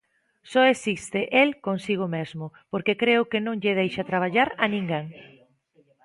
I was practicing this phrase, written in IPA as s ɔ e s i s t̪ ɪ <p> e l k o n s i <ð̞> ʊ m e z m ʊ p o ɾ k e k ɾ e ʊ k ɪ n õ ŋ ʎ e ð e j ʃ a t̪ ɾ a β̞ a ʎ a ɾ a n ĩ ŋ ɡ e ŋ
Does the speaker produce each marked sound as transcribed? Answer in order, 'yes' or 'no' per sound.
no, no

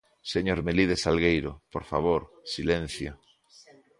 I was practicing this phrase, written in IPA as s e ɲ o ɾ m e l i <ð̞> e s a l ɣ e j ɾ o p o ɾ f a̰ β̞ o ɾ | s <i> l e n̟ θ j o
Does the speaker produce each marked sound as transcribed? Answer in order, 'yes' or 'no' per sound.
yes, yes

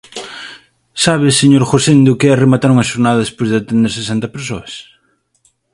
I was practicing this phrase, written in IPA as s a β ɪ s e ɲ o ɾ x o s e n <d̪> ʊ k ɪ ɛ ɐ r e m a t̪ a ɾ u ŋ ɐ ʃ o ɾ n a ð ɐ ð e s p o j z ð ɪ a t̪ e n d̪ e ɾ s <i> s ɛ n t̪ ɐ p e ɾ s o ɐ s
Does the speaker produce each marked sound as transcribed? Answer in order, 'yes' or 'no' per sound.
yes, no

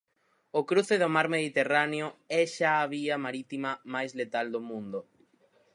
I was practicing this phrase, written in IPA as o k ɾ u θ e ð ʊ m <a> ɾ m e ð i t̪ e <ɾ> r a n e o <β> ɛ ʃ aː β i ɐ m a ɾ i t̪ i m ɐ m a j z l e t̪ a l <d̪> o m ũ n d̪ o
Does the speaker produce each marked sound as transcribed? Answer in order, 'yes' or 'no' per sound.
yes, no, no, yes

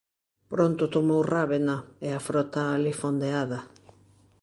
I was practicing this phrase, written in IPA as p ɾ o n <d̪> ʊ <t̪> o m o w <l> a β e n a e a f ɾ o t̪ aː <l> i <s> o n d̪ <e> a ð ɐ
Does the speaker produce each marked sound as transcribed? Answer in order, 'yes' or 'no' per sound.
no, yes, no, yes, no, yes

